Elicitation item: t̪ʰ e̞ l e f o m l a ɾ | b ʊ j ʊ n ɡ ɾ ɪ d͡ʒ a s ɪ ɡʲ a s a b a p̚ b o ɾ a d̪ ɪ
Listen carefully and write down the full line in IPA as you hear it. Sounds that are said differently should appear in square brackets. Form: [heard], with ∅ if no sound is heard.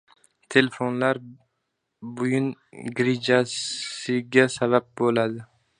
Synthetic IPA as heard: t̪ʰ e̞ l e f o [n] l a ɾ | b ʊ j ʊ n ɡ ɾ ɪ d͡ʒ a s ɪ ɡʲ a s a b a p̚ b o [l] a d̪ ɪ